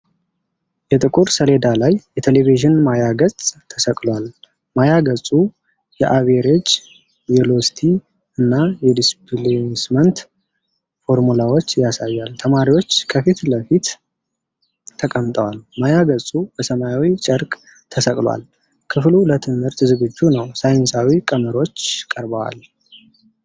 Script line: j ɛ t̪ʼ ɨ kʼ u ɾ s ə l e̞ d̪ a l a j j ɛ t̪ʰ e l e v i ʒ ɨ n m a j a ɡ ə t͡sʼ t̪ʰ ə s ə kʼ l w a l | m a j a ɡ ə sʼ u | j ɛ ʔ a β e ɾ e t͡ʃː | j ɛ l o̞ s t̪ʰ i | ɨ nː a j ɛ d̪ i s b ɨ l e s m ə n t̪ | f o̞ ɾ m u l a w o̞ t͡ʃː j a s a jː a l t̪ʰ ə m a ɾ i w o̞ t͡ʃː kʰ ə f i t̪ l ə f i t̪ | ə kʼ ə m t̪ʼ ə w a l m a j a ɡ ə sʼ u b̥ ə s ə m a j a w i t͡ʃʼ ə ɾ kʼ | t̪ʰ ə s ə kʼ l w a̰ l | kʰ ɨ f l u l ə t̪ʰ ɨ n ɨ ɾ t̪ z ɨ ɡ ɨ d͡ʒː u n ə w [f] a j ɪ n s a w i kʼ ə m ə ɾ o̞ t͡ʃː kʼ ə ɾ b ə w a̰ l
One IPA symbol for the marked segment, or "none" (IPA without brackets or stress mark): s